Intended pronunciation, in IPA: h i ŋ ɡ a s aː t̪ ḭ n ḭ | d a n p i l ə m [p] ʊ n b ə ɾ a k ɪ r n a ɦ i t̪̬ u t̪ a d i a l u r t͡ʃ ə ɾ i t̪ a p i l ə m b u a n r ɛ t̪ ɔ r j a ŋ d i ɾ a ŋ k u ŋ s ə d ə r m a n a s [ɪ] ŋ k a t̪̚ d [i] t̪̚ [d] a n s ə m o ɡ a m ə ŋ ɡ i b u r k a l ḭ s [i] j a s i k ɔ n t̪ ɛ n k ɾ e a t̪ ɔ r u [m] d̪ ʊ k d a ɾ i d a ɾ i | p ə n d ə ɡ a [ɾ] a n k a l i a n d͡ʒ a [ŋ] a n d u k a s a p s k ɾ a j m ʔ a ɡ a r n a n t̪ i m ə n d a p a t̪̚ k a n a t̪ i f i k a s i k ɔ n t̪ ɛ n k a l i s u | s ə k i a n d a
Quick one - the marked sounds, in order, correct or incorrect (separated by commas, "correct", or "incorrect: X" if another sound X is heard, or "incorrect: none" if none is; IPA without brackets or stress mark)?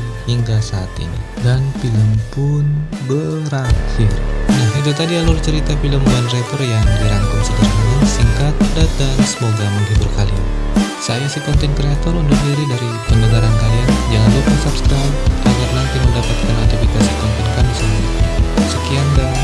correct, incorrect: i, incorrect: a, correct, incorrect: a, incorrect: n, correct, correct